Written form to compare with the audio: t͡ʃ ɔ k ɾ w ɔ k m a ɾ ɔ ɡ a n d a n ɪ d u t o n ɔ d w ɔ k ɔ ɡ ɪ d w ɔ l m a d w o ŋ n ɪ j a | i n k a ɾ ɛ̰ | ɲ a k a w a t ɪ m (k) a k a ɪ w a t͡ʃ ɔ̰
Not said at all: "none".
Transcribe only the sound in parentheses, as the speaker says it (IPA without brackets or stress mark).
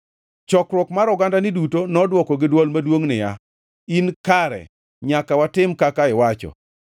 k